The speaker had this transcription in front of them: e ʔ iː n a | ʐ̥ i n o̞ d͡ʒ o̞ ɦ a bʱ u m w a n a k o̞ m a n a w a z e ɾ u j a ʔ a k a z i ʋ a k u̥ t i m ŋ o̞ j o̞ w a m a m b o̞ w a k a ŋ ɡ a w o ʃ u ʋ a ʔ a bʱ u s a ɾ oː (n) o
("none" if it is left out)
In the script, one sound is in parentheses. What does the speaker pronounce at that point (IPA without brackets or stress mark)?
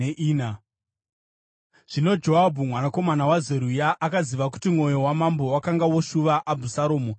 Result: m